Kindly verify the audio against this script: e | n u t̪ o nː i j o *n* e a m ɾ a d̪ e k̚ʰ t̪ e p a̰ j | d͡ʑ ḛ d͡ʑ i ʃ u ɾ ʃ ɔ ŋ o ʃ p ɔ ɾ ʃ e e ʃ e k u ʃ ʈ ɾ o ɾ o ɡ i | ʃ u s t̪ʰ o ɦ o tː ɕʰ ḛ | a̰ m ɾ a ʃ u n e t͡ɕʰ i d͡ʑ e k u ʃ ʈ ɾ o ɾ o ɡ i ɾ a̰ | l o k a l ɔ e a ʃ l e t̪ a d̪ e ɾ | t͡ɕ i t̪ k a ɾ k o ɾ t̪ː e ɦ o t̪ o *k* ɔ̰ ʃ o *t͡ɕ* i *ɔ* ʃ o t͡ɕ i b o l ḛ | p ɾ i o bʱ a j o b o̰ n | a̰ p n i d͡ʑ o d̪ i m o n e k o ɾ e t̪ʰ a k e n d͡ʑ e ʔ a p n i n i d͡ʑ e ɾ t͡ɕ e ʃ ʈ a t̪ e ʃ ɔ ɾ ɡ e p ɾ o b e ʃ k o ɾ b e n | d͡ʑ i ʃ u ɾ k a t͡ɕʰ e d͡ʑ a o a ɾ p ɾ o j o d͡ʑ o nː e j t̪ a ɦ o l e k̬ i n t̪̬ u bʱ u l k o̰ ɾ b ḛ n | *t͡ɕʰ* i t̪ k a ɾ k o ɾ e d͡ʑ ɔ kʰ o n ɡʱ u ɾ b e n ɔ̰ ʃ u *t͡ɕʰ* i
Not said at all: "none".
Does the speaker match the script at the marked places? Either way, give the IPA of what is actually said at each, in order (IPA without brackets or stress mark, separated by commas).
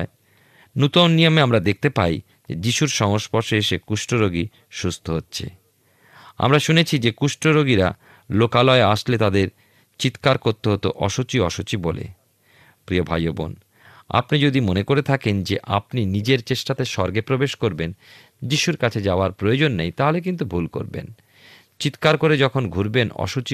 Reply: m, ʔ, t͡ɕ, ɔ, t͡ɕ, t͡ɕ